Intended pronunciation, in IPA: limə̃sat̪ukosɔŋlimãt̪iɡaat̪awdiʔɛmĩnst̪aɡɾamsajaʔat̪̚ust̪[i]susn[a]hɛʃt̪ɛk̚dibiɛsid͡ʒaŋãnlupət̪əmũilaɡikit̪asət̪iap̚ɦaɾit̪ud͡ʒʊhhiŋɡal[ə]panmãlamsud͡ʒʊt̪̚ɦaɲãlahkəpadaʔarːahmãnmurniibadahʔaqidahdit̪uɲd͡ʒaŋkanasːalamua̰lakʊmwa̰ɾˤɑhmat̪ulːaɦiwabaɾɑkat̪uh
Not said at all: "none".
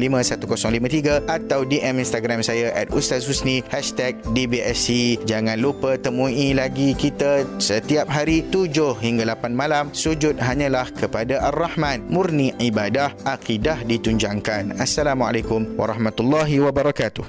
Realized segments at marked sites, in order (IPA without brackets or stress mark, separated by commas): a, i, a